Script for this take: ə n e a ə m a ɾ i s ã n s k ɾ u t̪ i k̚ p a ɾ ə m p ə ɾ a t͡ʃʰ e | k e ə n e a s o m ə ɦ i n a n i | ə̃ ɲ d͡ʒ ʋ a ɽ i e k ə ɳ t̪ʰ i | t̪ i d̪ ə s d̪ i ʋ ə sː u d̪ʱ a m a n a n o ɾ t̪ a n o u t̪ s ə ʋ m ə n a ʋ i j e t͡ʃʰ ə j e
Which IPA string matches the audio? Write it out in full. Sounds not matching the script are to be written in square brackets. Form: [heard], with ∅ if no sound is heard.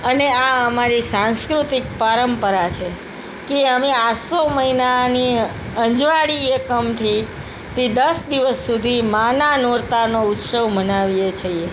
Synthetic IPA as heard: ə n e a ə m a ɾ i s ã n s k ɾ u t̪ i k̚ p a ɾ ə m p ə ɾ a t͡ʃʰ e | k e ə [m] e a s o m ə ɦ i n a n i | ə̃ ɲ d͡ʒ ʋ a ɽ i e k ə [m] t̪ʰ i | t̪ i d̪ ə s d̪ i ʋ ə sː u d̪ʱ [i] m a n a n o ɾ t̪ a n o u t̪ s ə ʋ m ə n a ʋ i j e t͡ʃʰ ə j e